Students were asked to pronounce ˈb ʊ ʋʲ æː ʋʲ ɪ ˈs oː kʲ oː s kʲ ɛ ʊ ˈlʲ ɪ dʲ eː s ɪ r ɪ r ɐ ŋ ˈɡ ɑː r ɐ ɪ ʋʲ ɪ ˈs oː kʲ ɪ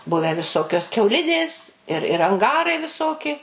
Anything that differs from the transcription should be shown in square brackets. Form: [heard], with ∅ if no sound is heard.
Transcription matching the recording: ˈb ʊ ʋʲ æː ʋʲ ɪ ˈs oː kʲ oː s kʲ ɛ ʊ ˈlʲ ɪ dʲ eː s ɪ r ɪ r ɐ ŋ ˈɡ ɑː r ɐ ɪ ʋʲ ɪ ˈs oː kʲ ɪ